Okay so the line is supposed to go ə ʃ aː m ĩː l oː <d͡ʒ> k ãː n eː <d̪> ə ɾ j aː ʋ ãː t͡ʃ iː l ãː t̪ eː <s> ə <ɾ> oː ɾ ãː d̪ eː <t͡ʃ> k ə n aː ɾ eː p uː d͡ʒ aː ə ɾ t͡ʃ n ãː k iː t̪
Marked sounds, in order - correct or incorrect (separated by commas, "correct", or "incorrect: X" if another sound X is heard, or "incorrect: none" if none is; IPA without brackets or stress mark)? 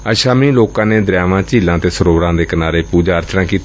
incorrect: none, correct, correct, correct, incorrect: none